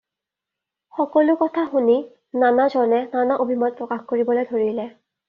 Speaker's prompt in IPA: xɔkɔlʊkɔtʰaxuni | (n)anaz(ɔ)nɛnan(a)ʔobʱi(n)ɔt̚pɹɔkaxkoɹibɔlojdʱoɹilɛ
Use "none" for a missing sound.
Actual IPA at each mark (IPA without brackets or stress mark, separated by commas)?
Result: n, ɔ, a, m